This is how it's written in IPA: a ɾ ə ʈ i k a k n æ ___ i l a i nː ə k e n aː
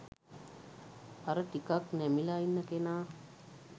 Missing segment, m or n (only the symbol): m